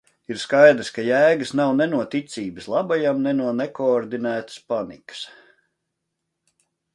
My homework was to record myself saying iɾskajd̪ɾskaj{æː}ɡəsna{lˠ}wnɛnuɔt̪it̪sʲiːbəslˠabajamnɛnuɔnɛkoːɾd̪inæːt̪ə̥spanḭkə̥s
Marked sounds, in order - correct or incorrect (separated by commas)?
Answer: correct, incorrect